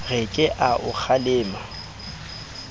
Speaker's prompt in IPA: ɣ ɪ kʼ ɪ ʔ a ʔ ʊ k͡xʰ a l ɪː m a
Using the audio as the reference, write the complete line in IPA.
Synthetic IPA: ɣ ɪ kʼ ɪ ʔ a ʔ ʊ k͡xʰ a l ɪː m a